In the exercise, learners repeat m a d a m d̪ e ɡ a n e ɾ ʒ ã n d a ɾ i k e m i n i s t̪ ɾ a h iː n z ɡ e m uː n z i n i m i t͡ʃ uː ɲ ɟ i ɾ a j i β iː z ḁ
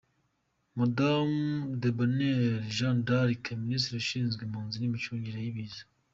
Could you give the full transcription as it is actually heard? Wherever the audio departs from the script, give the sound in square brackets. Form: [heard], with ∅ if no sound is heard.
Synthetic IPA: m a d a m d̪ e [b] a n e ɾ ʒ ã n d a ɾ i k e m i n i s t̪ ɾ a [ʃ] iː n z ɡ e m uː n z i n i m i t͡ʃ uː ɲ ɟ i ɾ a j i β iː z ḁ